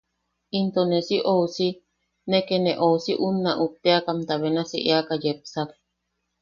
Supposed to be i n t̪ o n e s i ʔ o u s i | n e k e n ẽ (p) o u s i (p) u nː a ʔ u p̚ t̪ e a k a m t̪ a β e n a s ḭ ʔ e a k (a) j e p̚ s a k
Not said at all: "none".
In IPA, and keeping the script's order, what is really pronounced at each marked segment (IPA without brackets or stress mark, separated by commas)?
ʔ, ʔ, a